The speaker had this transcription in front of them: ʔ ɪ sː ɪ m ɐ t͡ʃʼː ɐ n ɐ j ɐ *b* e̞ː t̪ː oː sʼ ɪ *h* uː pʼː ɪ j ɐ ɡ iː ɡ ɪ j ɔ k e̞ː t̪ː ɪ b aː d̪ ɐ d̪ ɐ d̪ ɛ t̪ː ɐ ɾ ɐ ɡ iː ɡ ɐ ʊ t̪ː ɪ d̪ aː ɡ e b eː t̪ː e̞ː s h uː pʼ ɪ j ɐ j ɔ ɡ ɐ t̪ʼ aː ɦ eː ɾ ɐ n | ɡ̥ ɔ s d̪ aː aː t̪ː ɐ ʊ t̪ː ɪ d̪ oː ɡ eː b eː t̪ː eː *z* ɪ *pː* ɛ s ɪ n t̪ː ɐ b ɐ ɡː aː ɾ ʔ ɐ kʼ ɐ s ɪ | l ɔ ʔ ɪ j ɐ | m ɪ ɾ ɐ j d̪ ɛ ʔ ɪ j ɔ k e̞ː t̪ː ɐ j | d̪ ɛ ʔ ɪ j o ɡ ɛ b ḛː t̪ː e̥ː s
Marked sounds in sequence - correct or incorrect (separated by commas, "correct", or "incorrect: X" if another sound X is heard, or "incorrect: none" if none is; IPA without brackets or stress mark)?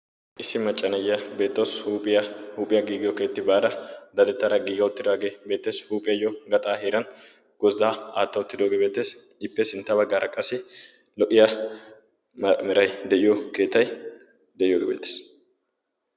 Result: correct, correct, incorrect: s, correct